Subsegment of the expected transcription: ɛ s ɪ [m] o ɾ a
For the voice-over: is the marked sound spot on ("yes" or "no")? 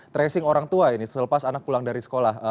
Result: no